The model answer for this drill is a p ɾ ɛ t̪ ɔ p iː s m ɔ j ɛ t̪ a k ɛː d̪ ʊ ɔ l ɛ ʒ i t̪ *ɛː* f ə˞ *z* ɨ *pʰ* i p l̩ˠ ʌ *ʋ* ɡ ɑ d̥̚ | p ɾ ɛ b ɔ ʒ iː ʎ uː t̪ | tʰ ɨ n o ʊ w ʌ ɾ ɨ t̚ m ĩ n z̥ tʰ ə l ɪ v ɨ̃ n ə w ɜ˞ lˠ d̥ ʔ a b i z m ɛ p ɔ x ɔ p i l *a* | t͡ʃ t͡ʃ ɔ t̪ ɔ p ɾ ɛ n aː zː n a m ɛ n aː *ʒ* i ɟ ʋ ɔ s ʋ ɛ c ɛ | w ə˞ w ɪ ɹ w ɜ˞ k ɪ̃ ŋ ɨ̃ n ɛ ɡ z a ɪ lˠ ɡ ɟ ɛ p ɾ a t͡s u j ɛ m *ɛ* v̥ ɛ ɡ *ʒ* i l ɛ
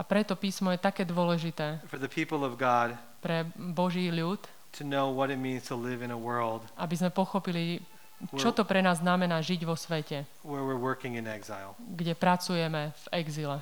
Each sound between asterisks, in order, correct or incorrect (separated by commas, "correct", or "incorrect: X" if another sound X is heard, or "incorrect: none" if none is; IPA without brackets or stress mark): correct, incorrect: ð, correct, incorrect: v, incorrect: i, correct, correct, incorrect: z